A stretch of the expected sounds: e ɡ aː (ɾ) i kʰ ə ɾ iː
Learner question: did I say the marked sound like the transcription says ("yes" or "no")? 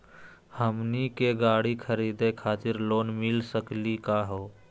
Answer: no